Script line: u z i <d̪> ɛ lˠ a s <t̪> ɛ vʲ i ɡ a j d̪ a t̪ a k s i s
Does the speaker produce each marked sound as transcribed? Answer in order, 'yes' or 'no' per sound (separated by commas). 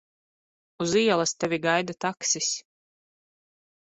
no, yes